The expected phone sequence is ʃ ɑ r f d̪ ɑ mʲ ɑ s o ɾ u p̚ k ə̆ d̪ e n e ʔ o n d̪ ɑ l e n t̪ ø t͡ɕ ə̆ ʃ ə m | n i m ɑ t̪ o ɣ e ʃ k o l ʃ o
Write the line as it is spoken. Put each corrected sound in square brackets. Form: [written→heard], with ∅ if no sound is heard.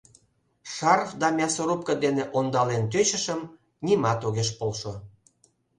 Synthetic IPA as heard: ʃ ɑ r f d̪ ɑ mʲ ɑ s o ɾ u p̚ k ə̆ d̪ e n e ʔ o n d̪ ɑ l e n t̪ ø t͡ɕ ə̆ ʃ ə m | n i m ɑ t̪ o ɣ e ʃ [k→p] o l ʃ o